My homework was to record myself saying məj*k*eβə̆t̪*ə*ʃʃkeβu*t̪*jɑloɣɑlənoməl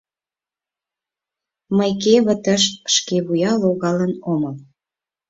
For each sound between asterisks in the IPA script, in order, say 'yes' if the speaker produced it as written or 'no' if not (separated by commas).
yes, yes, no